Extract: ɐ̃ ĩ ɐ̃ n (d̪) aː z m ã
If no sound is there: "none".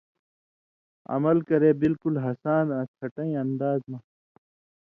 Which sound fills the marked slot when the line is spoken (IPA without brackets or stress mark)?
d̪